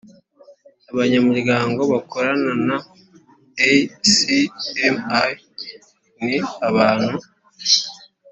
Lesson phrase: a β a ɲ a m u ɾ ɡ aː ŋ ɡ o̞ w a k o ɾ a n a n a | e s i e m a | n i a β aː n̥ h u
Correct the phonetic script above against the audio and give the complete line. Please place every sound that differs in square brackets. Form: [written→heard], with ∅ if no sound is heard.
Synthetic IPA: a β a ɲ a m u ɾ ɡ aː ŋ ɡ o̞ [w→β] a k o ɾ a n a n a | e s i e m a | n i a β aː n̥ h u